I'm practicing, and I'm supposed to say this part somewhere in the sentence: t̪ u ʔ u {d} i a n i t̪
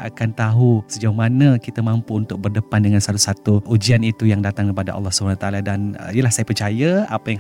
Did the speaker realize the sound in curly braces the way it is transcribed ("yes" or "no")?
no